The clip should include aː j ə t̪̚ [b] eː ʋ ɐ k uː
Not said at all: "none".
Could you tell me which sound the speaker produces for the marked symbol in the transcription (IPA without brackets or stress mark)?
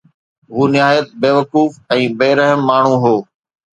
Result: b